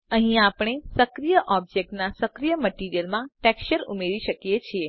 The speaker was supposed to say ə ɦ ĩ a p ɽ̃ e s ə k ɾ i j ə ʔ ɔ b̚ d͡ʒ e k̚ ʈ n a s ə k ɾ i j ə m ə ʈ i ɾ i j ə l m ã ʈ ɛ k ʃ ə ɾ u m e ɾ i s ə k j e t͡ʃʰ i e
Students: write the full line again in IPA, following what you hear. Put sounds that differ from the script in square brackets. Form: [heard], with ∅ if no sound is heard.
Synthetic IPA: ə ɦ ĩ a p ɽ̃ e s ə k ɾ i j ə ʔ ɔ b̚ d͡ʒ e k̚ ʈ n a s ə k ɾ i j ə m ə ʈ i ɾ i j ə l m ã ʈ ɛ k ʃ ə ɾ u m e ɾ i [ʃ] ə k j e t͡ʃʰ i e

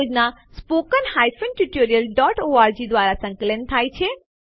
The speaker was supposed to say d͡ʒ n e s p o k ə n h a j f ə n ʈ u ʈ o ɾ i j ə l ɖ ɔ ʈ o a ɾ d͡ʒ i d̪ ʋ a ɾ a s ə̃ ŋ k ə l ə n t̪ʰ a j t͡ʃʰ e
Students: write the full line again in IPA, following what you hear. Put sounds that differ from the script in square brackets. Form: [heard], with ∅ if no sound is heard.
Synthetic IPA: d͡ʒ n [a] s p o k ə n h a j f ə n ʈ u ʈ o ɾ i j ə l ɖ ɔ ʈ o a ɾ d͡ʒ i d̪ ʋ a ɾ a s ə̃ ŋ k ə l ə n t̪ʰ a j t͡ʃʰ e

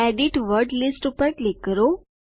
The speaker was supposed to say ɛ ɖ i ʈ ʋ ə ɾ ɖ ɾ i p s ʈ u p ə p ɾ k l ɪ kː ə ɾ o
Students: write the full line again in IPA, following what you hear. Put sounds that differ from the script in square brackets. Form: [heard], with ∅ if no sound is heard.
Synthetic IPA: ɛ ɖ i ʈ ʋ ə ɾ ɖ [l] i [∅] s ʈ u p ə [∅] ɾ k l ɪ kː ə ɾ o

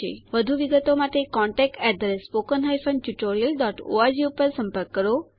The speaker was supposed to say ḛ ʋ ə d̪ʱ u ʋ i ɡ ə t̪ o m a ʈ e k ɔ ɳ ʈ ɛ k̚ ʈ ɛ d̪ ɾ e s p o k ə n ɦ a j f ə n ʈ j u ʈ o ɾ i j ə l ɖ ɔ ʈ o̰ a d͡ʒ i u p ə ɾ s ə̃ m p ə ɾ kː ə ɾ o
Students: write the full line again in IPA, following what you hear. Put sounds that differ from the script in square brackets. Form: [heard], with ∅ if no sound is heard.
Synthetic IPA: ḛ ʋ ə d̪ʱ u ʋ i ɡ ə t̪ o m a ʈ e k ɔ ɳ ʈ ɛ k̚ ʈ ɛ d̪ ɾ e s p o k ə n ɦ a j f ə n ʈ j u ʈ o ɾ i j ə l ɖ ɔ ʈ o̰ a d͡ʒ i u p ə ɾ s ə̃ m p ə ɾ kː ə ɾ o

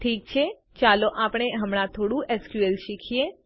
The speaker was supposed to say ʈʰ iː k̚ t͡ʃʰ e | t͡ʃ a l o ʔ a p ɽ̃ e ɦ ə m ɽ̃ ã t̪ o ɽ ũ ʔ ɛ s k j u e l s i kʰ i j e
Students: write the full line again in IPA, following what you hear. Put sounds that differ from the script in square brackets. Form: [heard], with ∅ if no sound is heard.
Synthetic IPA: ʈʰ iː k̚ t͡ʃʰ e | t͡ʃ a l o ʔ a p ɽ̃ e ɦ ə m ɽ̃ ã [t̪ʰ] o ɽ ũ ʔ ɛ s k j u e l [ʃ] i kʰ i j e

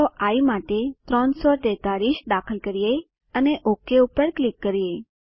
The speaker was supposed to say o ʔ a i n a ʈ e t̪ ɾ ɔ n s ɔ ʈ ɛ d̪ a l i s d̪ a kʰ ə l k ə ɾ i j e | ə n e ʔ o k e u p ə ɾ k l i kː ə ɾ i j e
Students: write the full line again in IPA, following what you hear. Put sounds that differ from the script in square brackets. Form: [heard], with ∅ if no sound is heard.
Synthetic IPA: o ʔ a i [m] a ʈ e t̪ ɾ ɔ n s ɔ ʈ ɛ [t̪] a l i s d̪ a kʰ ə l k ə ɾ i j e | ə n e ʔ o k e u p ə ɾ k l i kː ə ɾ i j e

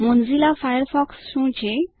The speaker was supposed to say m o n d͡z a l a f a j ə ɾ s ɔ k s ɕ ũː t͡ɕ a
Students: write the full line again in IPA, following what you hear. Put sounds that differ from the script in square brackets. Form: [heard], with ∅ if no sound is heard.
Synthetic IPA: m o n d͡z [i] l a f a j ə ɾ [f] ɔ k s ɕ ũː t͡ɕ [e]

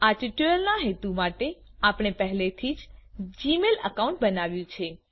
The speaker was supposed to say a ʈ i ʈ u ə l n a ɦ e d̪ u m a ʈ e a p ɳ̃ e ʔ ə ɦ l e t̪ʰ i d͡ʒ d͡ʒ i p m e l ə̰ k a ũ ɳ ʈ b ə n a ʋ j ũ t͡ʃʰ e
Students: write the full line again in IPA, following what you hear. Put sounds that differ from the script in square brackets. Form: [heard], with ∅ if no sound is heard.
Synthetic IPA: a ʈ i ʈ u ə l n a ɦ e [t̪] u m a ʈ e a p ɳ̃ e [p] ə ɦ l e t̪ʰ i d͡ʒ d͡ʒ i [∅] m e l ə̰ k a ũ ɳ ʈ b ə n a ʋ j ũ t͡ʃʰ e

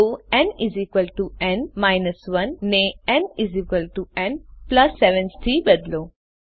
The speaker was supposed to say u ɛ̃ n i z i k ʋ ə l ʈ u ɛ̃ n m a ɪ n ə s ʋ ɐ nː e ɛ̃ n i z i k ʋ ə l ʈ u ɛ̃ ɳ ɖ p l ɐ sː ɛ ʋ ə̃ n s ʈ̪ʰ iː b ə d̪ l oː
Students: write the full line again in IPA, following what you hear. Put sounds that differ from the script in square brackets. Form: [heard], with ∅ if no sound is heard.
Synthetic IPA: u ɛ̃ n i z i k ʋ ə l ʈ u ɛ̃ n m a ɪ n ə s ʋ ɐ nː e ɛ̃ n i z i k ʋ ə l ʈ u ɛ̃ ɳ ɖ p l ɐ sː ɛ ʋ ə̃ n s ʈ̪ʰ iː b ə d̪ l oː

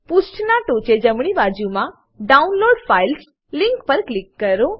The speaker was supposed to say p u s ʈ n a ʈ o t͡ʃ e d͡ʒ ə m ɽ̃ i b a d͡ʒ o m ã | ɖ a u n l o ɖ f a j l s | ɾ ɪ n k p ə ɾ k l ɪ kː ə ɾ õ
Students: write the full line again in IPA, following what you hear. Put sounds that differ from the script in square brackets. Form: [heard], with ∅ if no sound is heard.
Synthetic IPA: p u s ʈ n a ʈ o t͡ʃ e d͡ʒ ə m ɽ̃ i b a d͡ʒ [u] m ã | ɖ a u n l o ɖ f a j l s | [l] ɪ [ŋ] k p ə ɾ k l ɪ kː ə ɾ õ

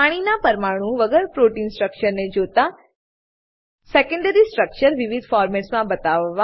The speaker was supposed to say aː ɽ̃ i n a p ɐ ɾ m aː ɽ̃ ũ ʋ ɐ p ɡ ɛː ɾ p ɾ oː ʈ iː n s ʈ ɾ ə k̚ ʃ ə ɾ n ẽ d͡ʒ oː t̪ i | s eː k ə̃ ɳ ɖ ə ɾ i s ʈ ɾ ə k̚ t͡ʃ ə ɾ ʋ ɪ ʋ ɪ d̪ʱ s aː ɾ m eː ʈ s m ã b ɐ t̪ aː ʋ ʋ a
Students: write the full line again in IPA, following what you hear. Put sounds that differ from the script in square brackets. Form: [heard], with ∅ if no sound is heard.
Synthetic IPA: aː ɽ̃ i n a p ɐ ɾ m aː ɽ̃ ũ ʋ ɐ [∅] ɡ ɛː ɾ p ɾ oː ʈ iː n s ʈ ɾ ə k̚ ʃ ə ɾ n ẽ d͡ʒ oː t̪ [a] | s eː k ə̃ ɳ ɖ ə ɾ i s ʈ ɾ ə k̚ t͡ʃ ə ɾ ʋ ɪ ʋ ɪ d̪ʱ [f] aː ɾ m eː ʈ s m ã b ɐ t̪ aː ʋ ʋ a

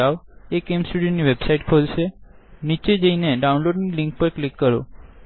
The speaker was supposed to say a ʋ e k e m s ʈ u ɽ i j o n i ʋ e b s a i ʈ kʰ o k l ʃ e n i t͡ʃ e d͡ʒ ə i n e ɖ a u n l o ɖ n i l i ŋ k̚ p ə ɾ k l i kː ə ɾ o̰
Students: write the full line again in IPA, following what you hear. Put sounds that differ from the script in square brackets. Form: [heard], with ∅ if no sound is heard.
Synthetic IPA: a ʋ e k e m s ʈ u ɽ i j o n i ʋ e b s a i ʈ kʰ o [∅] l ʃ e n i t͡ʃ e d͡ʒ ə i n e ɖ a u n l o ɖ n i l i ŋ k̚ p ə ɾ k l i kː ə ɾ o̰

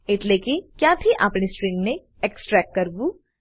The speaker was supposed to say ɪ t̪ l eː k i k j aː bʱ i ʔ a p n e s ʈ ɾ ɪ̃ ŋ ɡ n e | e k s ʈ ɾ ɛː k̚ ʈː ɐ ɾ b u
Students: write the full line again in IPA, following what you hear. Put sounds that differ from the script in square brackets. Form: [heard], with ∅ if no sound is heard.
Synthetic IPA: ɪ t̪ l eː k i k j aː bʱ i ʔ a p n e s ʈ ɾ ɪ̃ ŋ ɡ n e | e k s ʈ ɾ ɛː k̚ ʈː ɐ ɾ b u

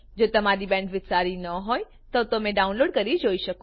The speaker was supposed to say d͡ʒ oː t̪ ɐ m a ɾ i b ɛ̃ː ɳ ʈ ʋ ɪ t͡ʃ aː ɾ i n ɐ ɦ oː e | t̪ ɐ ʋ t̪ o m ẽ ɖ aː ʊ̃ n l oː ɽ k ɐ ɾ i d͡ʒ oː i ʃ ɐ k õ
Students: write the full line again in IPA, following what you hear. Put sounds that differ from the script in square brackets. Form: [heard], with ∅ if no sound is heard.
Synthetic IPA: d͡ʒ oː t̪ ɐ m a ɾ i b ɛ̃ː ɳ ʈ ʋ ɪ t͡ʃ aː ɾ i n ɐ ɦ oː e | t̪ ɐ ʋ t̪ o m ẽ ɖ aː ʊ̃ n l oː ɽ k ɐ ɾ i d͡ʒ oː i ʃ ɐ k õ

